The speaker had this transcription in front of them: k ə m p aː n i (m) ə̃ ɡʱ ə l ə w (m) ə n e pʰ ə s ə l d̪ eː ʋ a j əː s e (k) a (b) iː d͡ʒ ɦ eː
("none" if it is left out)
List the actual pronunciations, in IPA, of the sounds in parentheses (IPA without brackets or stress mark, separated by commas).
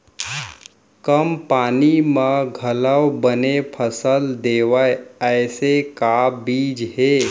m, b, k, b